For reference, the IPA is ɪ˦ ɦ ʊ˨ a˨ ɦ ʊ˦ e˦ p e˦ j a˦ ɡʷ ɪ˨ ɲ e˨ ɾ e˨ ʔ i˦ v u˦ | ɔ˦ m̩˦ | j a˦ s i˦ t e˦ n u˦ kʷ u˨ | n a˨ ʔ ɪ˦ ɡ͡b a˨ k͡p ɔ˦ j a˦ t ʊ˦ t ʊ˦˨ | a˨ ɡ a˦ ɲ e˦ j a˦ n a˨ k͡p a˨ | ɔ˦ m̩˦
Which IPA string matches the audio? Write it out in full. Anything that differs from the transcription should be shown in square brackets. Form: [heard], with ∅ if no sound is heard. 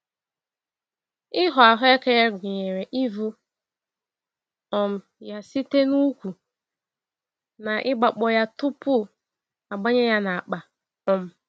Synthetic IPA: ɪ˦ ɦ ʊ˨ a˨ ɦ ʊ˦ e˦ [k] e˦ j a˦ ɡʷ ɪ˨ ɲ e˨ ɾ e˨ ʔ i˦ v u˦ | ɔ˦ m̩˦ | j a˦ s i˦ t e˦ n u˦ kʷ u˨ | n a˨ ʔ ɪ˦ ɡ͡b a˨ k͡p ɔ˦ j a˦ t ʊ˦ [p] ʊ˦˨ | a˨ [ɡ͡b] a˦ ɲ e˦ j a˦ n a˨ k͡p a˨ | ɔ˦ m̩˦